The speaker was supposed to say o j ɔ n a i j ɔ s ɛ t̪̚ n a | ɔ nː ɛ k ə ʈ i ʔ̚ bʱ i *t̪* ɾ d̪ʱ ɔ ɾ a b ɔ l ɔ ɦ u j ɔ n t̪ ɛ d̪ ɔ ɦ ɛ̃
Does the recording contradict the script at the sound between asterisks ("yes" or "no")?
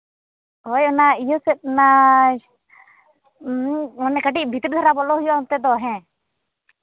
no